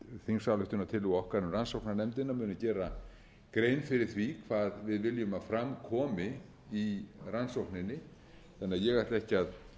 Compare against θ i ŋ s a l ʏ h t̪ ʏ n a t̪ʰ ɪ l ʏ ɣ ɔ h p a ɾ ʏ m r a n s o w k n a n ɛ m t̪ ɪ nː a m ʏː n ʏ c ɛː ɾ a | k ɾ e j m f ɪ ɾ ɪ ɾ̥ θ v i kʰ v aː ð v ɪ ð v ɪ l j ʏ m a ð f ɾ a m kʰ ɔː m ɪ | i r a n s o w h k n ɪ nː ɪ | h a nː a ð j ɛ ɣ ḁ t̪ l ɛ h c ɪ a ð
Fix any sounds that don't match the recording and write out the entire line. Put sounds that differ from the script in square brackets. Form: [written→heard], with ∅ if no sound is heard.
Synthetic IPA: θ i ŋ s a l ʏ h t̪ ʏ n a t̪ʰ ɪ l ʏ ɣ ɔ h [p→k] a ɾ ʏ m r a n s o w k n a n ɛ m t̪ ɪ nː a m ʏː n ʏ c ɛː ɾ a | k ɾ e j [m→n] f ɪ ɾ ɪ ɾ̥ θ v i kʰ v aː ð v ɪ ð v ɪ l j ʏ m a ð f ɾ a m kʰ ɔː m ɪ | i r a n s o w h k n ɪ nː ɪ | [h→θ] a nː a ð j ɛ ɣ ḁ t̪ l ɛ h c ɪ a ð